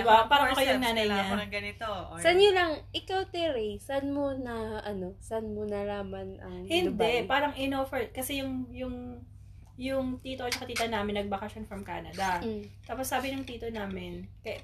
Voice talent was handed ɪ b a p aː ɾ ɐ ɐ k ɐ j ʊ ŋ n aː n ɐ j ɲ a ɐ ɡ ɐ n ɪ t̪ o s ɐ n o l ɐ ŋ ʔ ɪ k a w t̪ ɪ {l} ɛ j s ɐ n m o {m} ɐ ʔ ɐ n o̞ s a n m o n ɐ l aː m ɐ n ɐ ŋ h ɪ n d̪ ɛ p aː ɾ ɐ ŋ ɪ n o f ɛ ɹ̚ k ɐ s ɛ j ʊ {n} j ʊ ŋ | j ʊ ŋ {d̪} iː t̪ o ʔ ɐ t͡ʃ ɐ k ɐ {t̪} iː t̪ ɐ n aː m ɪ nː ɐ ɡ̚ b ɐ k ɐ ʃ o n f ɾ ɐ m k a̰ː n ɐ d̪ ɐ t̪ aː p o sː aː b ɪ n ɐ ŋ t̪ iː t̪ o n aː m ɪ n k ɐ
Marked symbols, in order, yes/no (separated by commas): no, no, no, no, yes